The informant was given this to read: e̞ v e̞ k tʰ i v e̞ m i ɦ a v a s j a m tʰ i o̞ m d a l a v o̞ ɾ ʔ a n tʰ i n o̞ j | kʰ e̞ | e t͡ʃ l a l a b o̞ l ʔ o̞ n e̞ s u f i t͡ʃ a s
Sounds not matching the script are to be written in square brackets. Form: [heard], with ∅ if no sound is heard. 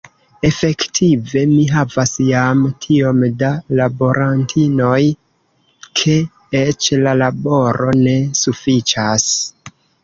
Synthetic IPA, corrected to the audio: e̞ [f] e̞ k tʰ i v e̞ m i ɦ a v a s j a m tʰ i o̞ m d a l a [b] o̞ ɾ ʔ a n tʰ i n o̞ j | kʰ e̞ | e t͡ʃ l a l a b o̞ [ɾ] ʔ o̞ n e̞ s u f i t͡ʃ a s